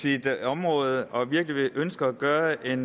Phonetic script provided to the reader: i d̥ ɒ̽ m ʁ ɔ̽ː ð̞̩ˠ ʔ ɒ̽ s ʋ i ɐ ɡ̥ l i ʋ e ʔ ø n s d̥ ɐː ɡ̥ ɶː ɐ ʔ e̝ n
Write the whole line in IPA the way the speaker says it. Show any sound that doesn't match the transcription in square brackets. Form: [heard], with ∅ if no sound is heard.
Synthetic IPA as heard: i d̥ ɒ̽ m ʁ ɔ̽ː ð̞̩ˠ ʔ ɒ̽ [∅] ʋ i ɐ ɡ̥ l i ʋ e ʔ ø n s [ɡ̥] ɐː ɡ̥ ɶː ɐ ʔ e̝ n